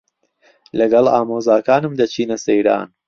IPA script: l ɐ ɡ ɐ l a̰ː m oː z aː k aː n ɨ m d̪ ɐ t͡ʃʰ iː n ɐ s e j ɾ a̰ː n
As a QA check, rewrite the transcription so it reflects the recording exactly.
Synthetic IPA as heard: l ɐ ɡ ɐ l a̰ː m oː z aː k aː n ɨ m d̪ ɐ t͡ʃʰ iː n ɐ s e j ɾ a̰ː n